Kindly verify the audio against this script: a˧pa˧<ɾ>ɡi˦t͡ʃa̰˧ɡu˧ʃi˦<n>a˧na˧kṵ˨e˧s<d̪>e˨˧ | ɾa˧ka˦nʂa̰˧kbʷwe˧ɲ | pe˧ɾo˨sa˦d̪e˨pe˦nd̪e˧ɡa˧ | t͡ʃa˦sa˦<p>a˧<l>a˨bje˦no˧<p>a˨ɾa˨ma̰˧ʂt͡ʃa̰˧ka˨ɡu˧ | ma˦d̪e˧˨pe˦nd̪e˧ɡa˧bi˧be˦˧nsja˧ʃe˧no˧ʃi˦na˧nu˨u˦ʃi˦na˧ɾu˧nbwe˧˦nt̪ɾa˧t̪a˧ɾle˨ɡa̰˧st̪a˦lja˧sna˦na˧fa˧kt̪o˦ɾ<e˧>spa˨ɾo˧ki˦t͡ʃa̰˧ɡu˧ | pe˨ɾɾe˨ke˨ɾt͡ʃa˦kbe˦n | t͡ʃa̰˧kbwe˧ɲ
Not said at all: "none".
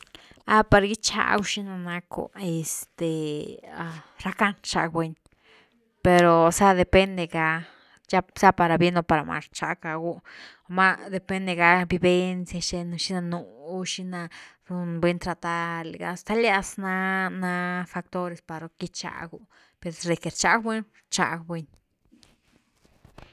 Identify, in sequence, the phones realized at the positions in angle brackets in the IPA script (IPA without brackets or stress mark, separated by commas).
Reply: ɾ, n, t̪, p, ɾ, p, e˧